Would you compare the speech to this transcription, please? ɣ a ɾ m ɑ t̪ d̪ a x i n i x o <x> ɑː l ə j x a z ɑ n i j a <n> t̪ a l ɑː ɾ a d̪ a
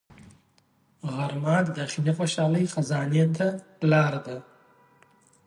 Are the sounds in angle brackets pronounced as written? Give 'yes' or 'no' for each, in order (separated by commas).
no, yes